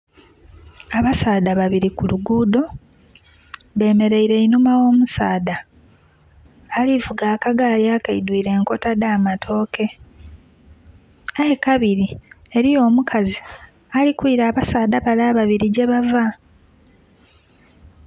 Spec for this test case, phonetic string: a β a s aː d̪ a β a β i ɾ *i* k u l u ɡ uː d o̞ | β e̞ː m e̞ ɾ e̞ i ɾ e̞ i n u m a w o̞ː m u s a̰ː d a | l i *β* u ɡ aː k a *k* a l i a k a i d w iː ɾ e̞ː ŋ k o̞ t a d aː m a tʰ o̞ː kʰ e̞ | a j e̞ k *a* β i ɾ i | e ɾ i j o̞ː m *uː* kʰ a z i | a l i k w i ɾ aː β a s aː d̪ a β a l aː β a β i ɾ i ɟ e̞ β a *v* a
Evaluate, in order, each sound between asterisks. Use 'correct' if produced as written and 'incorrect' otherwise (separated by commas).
correct, incorrect, incorrect, correct, incorrect, correct